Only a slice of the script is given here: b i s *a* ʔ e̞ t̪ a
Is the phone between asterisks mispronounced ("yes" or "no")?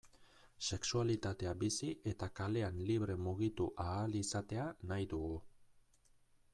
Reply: yes